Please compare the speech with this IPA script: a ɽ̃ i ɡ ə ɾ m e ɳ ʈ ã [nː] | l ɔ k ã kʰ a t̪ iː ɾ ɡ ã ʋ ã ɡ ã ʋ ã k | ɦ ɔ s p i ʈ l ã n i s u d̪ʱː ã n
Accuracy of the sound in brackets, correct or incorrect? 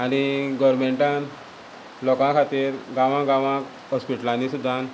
incorrect